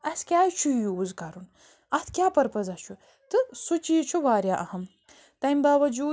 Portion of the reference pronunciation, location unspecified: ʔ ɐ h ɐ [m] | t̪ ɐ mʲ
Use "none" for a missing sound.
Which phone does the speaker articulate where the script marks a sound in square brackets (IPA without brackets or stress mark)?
m